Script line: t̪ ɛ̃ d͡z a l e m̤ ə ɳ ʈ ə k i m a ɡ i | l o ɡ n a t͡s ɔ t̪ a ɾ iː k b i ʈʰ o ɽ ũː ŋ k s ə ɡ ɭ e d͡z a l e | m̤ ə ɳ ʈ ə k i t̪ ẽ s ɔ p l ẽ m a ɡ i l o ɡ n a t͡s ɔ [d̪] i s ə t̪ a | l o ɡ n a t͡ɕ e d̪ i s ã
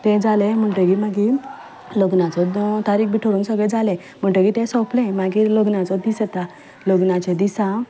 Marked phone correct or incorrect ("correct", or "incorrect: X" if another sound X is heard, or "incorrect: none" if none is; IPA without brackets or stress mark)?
correct